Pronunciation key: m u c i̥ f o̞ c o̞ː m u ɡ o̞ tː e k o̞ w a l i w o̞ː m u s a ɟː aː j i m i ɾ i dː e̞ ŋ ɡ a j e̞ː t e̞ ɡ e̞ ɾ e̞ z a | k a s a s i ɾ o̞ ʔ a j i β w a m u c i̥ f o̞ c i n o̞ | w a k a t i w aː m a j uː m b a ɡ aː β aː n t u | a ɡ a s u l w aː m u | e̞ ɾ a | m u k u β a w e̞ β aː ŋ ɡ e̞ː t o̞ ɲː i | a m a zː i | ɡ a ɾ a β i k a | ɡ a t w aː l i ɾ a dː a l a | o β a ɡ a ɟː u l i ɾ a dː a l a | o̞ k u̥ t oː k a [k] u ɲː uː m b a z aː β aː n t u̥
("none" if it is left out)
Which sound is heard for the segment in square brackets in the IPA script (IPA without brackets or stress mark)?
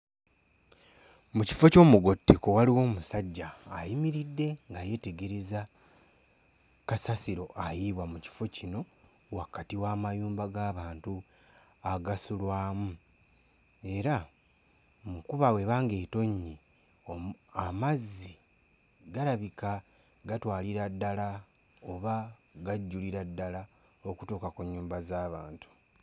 k